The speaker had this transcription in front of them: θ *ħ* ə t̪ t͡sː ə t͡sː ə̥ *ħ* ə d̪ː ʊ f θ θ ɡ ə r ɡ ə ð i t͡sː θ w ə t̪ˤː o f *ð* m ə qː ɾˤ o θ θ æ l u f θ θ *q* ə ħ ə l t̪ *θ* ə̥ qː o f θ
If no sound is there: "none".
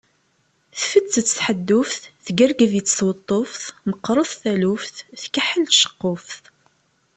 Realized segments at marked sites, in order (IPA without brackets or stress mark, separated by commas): f, ħ, θ, k, ʃ